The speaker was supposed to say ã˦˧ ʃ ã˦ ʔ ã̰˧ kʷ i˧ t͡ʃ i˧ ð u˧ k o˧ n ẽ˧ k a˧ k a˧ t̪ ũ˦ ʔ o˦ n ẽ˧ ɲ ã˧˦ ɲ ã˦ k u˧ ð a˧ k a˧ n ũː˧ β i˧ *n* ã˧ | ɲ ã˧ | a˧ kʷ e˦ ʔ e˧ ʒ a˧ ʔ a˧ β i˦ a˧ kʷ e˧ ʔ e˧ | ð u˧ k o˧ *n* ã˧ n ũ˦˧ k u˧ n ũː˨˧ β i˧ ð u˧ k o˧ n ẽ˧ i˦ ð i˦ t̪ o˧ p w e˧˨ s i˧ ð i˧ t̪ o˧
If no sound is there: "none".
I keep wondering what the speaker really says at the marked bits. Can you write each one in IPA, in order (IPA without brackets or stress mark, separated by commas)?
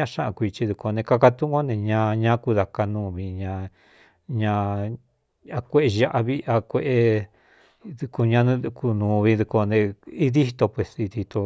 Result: ɲ, ɲ